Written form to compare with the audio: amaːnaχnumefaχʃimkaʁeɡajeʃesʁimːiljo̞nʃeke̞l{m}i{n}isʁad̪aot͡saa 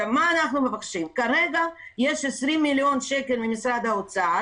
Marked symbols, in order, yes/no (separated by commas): yes, no